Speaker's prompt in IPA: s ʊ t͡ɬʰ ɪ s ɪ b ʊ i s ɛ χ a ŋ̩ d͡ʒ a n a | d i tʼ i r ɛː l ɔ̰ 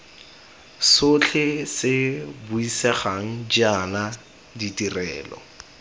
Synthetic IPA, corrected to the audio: s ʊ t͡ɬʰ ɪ s ɪ b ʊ i s ɛ χ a ŋ̩ d͡ʒ a n a | d i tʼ i r ɛː l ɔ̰

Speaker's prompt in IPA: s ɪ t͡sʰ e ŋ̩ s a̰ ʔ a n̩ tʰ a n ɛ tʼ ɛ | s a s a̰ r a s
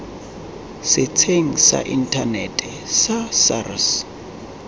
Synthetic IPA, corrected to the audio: s ɪ t͡sʰ e ŋ̩ s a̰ ʔ i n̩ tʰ a n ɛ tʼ ɛ | s a s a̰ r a s

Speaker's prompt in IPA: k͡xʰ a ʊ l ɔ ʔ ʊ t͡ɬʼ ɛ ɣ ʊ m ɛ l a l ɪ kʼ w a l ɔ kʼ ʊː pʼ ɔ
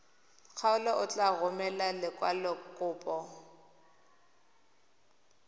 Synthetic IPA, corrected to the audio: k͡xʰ a ʊ l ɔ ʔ ʊ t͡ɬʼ a ɣ ʊ m ɛ l a l ɪ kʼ w a l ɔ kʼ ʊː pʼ ɔ

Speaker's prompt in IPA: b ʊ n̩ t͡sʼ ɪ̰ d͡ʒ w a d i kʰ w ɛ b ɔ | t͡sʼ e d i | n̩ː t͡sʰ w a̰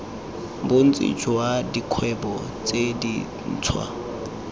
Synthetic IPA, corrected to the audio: b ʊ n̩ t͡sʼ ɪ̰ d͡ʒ w a d i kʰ w ɛ b ɔ | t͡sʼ e d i | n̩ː t͡sʰ w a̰

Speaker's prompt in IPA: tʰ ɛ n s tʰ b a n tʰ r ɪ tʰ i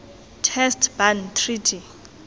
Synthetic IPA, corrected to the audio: tʰ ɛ s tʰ b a n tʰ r i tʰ i

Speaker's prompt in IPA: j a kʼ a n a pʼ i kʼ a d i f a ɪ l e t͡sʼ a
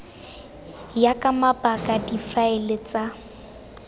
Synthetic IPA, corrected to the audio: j a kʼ a m a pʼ a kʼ a d i f a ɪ l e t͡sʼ a

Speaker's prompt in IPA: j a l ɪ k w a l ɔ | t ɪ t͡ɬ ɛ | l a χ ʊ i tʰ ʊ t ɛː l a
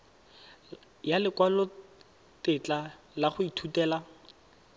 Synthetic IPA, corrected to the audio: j a l ɪ k w a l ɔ | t ɪ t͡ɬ a | l a χ ʊ i tʰ u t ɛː l a

